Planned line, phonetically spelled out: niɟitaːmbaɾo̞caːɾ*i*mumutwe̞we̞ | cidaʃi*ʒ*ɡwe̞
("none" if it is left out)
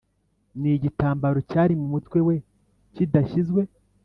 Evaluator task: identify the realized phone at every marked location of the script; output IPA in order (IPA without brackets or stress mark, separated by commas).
i, z